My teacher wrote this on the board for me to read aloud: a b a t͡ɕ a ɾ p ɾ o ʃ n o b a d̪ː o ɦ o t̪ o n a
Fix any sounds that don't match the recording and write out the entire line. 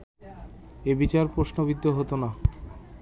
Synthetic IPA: e b i t͡ɕ a ɾ p ɾ o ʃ n o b i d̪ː o ɦ o t̪ o n a